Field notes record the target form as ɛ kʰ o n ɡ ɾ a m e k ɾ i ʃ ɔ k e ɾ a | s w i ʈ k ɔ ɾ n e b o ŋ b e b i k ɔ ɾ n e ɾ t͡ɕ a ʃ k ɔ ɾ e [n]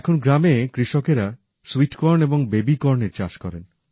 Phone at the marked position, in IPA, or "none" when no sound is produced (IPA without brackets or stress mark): n